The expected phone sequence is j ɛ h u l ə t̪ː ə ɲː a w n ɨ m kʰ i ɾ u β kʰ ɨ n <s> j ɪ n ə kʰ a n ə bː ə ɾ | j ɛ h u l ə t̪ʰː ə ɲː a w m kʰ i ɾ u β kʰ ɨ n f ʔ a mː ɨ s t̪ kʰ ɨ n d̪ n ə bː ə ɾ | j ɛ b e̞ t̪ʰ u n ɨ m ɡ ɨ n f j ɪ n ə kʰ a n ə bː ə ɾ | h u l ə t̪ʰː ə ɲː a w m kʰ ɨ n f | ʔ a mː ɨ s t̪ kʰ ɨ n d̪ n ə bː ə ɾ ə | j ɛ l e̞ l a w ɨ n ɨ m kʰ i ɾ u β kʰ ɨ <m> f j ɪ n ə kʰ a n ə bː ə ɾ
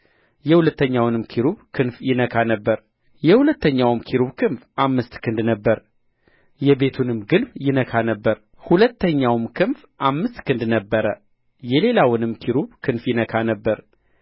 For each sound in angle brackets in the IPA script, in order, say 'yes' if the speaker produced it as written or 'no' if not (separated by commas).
no, no